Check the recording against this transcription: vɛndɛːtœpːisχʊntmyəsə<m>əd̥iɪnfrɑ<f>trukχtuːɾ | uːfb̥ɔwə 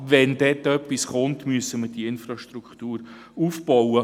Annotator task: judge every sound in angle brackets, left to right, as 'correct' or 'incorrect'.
correct, incorrect: ʃ

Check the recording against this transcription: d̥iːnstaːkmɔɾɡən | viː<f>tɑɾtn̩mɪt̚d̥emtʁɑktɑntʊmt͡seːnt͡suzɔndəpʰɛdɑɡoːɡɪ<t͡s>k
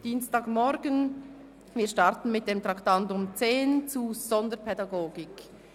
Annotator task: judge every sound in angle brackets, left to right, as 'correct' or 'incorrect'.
incorrect: ʃ, incorrect: none

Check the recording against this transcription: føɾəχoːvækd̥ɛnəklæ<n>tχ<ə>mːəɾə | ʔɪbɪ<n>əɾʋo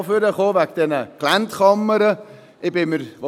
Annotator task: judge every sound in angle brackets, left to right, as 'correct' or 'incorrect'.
correct, incorrect: ɑ, incorrect: m

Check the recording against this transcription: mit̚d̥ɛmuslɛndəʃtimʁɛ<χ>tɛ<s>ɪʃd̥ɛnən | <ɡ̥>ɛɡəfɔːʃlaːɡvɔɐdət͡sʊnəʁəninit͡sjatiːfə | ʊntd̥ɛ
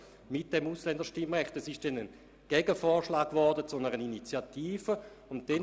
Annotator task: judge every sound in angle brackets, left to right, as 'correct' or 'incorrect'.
correct, correct, correct

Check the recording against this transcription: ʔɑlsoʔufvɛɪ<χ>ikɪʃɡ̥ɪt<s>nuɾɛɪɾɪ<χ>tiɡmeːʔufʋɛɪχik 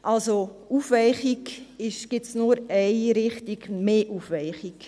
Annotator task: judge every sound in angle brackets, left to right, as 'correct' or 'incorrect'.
correct, correct, correct

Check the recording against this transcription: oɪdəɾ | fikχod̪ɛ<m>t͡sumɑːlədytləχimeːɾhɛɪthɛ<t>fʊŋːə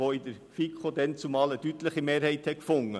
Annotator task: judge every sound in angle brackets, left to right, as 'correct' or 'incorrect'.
incorrect: n, incorrect: k

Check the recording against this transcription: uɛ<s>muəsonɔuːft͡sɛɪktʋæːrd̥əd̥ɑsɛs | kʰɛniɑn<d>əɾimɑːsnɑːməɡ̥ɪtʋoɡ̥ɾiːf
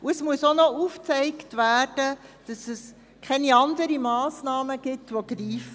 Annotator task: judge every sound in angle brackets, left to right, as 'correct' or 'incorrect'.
correct, correct

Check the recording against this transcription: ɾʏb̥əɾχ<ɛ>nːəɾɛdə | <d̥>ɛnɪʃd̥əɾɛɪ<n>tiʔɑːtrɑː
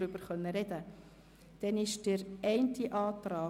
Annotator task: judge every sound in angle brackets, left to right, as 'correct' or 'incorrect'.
incorrect: œ, correct, correct

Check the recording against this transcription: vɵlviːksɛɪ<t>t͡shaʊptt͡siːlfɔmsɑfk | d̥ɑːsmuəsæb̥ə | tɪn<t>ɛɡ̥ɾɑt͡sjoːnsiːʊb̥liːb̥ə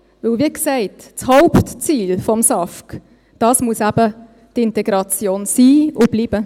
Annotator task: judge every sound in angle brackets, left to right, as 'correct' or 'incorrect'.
correct, correct

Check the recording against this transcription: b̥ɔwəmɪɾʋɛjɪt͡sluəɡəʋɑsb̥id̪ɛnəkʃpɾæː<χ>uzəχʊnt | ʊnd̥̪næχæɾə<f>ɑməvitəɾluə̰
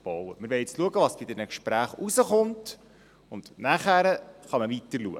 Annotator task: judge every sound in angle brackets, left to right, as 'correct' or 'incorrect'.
correct, incorrect: χ

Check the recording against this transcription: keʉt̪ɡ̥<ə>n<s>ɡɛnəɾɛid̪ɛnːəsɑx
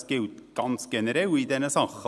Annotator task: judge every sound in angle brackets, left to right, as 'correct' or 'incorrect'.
incorrect: ɑ, correct

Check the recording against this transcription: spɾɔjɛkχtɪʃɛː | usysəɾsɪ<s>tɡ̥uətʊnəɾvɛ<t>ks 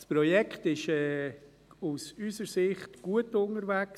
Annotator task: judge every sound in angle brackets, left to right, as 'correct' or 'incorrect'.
incorrect: χ, incorrect: none

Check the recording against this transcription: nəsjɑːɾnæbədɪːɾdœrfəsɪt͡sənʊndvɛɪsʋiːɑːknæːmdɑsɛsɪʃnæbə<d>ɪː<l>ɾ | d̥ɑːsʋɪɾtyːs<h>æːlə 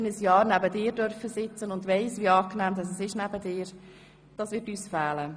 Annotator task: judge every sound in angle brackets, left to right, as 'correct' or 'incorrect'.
correct, incorrect: none, incorrect: f

